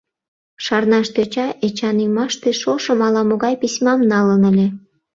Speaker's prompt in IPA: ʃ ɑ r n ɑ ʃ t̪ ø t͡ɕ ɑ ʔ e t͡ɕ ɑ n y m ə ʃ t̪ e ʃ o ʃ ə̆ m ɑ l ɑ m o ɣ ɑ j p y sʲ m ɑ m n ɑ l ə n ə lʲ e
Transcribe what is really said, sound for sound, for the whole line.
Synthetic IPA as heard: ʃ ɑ r n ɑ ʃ t̪ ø t͡ɕ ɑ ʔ e t͡ɕ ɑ n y m ɑ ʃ t̪ e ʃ o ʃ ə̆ m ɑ l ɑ m o ɣ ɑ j p i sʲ m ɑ m n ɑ l ə n ə lʲ e